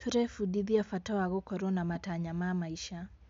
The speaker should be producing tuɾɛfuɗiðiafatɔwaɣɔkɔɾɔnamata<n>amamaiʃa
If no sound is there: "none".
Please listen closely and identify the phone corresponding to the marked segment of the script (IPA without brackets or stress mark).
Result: ɲ